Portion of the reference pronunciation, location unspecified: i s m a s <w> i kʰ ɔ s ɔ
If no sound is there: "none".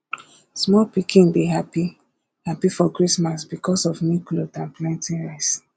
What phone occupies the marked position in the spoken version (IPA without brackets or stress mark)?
b